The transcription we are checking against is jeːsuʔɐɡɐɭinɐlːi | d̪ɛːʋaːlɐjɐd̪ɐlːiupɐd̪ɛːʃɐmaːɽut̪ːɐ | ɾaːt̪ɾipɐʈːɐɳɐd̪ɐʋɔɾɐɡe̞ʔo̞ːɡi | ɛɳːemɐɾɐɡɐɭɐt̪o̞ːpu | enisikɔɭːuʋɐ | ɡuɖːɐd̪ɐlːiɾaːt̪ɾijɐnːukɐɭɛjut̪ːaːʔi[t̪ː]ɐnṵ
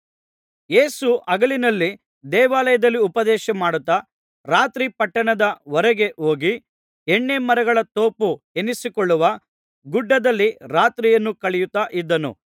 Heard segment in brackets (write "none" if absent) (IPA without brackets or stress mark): d̪ː